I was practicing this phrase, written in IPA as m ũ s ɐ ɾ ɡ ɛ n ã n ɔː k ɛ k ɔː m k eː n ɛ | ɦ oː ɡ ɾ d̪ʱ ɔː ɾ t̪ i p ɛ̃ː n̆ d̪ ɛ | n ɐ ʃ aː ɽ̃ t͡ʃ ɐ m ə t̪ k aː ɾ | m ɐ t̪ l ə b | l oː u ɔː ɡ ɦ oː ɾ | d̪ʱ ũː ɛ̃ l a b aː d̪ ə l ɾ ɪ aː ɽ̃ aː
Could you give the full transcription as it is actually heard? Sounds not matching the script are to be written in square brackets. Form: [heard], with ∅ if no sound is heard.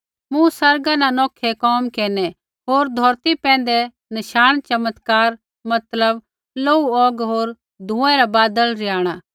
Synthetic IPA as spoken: m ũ s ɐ ɾ ɡ [a] n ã n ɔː [kʰ] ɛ k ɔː m k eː n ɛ | ɦ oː [∅] ɾ d̪ʱ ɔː ɾ t̪ i p ɛ̃ː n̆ d̪ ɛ | n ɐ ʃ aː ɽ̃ t͡ʃ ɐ m ə t̪ k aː ɾ | m ɐ t̪ l ə b | l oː u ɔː ɡ ɦ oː ɾ | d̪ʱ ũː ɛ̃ [ɾ] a b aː d̪ ə l ɾ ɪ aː ɽ̃ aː